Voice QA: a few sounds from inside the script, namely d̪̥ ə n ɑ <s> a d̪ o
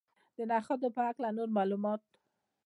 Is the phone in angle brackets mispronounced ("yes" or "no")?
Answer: yes